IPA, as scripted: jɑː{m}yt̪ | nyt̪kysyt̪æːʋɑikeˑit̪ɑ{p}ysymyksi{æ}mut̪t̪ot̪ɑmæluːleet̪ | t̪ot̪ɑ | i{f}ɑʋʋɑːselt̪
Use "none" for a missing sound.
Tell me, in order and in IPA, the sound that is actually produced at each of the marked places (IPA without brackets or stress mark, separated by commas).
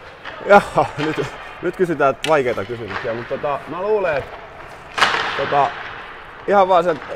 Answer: n, k, æ, h